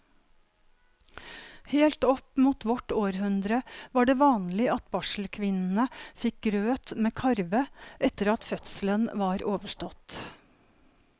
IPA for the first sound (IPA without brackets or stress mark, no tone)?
h